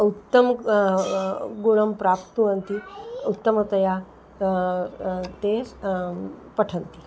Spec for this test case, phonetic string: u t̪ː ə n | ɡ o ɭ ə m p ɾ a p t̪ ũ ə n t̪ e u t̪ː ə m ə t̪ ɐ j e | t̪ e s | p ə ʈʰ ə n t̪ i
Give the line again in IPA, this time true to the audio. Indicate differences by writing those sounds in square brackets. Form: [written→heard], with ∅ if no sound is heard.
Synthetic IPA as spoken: u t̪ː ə [n→m] | ɡ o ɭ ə m p ɾ a p t̪ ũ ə n t̪ [e→i] u t̪ː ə m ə t̪ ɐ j [e→a] | t̪ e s | p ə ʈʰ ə n t̪ i